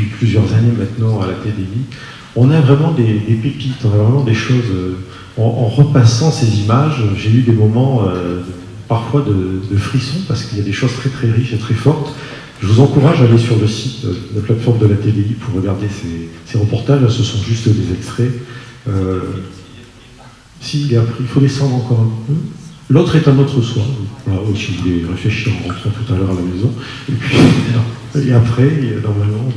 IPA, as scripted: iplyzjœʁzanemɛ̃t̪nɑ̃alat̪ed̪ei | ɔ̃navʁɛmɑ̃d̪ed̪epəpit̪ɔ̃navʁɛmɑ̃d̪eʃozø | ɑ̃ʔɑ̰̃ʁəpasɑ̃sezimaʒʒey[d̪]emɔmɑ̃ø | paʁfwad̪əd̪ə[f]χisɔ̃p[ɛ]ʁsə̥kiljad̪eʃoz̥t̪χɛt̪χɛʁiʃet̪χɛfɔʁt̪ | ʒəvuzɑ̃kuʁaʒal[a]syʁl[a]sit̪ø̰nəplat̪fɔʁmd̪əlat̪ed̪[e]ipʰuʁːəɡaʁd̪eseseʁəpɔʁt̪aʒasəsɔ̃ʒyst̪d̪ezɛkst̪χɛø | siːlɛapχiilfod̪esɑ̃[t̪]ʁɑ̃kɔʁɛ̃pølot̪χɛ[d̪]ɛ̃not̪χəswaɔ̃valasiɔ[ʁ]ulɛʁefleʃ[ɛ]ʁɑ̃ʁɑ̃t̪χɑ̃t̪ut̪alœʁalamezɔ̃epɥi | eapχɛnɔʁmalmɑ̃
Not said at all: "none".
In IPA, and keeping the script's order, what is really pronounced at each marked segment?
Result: d̪, f, a, e, ə, e, d̪, t̪, v, i

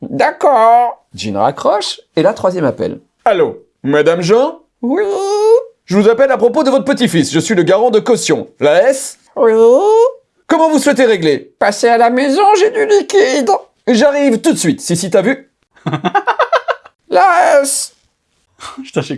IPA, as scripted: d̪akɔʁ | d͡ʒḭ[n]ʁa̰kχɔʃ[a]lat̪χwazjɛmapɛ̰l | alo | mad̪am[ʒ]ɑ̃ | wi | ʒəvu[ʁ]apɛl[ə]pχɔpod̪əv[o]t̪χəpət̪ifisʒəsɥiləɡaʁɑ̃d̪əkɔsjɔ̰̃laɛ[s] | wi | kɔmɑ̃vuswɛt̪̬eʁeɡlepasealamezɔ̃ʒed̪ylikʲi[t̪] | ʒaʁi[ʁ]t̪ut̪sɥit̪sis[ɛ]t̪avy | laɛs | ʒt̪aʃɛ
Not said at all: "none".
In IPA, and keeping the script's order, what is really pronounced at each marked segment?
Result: n, e, ʒ, z, a, ɔ, s, d̪, v, i

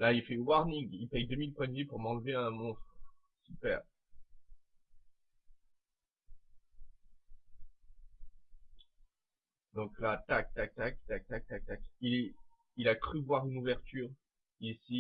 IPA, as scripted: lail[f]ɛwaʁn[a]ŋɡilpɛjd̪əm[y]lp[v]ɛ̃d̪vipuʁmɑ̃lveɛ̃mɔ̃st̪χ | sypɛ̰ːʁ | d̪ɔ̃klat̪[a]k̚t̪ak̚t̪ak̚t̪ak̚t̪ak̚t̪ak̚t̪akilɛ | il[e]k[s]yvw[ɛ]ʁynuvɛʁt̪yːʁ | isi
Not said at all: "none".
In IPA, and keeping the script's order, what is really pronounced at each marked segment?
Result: f, i, i, w, a, a, χ, a

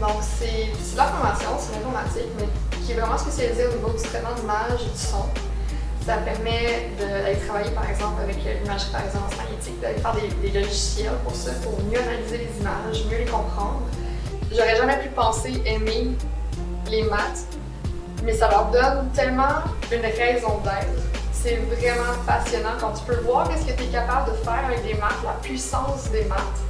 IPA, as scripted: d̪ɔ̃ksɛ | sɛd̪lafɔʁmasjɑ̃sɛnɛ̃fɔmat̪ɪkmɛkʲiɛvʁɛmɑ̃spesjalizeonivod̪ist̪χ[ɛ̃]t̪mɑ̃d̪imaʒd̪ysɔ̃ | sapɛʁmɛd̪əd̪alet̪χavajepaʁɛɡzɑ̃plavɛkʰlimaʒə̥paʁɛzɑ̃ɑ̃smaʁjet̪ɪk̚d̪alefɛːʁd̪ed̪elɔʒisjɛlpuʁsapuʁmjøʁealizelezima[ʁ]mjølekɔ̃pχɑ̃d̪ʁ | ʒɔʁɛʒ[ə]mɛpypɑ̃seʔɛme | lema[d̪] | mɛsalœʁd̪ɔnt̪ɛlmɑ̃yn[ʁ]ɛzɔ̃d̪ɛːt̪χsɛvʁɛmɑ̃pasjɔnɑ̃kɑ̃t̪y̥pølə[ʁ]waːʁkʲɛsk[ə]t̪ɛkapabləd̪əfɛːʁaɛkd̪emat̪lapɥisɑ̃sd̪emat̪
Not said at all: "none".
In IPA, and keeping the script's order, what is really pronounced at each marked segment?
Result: ɛ, ʒ, a, t̪, ʁ, v, ə

